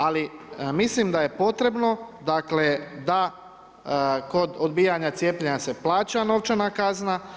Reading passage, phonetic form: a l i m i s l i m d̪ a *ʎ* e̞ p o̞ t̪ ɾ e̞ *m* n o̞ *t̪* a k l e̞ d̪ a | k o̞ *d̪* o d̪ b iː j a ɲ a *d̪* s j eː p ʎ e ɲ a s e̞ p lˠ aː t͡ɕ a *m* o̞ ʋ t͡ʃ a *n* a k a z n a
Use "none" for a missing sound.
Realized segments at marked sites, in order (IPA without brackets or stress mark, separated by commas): j, b, d̪, d̪, t̪, n, n